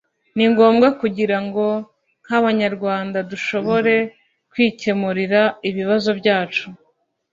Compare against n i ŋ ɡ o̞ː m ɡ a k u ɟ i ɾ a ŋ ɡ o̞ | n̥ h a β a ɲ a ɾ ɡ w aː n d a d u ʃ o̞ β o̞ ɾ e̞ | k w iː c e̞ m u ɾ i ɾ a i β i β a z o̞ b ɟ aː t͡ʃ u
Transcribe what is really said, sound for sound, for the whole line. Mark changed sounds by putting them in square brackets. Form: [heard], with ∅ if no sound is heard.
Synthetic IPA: n i ŋ ɡ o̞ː m ɡ a k u ɟ i ɾ a ŋ ɡ o̞ | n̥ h a β a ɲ a ɾ ɡ w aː n d a d u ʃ o̞ β o̞ ɾ e̞ | k w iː c e̞ m u ɾ i ɾ a i β i β a z o̞ b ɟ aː t͡ʃ u